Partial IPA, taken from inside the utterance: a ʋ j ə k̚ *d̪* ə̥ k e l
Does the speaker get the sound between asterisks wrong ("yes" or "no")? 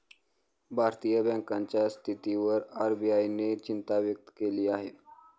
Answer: yes